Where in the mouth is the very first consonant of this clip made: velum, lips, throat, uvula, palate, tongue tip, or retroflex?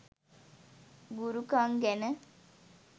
velum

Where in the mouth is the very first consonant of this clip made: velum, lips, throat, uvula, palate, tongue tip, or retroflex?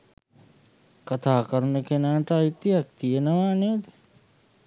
velum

